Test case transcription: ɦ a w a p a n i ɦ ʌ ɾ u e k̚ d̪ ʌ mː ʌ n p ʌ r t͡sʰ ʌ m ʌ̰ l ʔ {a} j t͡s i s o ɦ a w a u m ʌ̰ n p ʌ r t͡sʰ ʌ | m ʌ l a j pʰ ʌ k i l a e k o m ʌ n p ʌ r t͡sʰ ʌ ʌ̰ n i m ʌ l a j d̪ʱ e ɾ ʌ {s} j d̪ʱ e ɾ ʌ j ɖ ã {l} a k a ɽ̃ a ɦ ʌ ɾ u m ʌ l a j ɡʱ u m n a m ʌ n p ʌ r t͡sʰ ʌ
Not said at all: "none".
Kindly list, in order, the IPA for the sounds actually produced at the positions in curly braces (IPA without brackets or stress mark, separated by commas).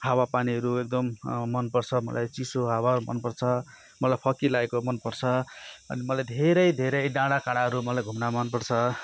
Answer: a, none, ɽ